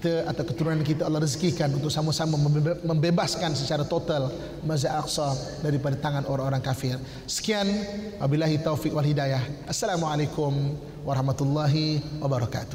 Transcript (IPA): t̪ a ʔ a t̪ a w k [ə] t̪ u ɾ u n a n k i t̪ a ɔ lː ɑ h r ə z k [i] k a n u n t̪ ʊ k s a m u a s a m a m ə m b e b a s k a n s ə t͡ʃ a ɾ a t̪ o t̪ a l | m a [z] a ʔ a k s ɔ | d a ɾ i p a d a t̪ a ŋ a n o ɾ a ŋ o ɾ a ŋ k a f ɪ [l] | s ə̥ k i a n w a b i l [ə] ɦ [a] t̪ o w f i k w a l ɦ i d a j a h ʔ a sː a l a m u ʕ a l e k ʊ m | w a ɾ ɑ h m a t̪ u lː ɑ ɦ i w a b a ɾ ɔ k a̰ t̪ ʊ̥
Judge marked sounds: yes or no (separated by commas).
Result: yes, yes, yes, no, no, no